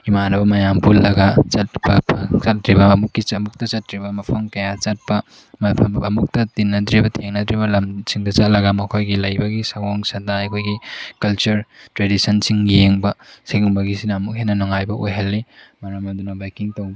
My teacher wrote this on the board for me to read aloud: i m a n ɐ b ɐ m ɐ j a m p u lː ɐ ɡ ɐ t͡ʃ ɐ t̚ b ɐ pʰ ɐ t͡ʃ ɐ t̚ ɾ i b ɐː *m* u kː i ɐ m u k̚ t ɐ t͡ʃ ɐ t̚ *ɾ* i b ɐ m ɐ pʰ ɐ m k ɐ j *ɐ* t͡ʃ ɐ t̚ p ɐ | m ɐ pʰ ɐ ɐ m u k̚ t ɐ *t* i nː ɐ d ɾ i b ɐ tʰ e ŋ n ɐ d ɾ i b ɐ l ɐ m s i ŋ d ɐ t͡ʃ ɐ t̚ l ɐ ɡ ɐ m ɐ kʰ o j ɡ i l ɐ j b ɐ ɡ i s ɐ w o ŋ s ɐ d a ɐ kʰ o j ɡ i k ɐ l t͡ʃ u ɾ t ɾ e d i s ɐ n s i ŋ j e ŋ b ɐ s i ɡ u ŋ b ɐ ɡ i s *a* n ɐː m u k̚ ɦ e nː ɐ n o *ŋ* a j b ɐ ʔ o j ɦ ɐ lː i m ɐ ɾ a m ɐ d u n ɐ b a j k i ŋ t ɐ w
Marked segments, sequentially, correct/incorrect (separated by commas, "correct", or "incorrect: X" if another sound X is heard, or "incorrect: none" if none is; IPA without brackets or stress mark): correct, correct, incorrect: a, correct, incorrect: i, correct